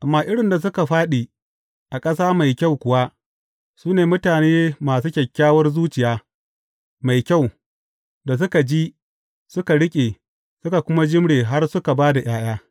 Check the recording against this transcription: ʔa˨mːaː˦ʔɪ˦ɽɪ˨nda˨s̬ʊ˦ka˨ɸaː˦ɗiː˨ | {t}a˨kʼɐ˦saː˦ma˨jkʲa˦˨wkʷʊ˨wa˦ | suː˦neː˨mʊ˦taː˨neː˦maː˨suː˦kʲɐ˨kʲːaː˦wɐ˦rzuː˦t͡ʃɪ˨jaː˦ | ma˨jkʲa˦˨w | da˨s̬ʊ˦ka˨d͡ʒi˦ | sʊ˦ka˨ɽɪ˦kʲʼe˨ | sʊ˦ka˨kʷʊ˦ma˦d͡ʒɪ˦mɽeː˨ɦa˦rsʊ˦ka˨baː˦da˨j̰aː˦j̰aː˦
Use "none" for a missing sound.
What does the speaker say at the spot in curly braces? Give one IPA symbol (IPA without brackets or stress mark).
ʔ